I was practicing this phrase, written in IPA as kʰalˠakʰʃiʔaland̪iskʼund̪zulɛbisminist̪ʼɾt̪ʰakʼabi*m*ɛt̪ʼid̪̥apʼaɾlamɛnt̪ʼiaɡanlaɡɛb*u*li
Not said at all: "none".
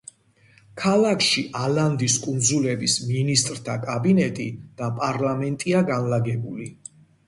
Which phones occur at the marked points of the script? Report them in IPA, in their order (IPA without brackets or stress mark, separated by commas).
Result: n, u